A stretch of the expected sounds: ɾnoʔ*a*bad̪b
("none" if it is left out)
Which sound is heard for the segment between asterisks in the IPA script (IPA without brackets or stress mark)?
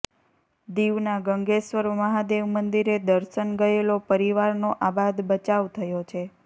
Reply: a